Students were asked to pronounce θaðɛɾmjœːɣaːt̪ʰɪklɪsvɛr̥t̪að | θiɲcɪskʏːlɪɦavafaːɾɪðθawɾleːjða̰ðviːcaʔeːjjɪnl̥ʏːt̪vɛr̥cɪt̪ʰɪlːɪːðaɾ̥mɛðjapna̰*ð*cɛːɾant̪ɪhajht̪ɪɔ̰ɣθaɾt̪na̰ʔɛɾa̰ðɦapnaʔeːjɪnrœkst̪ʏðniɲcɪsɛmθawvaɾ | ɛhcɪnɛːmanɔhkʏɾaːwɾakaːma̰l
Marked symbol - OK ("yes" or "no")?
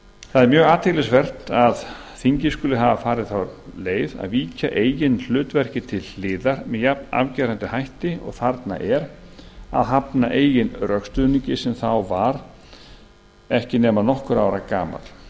no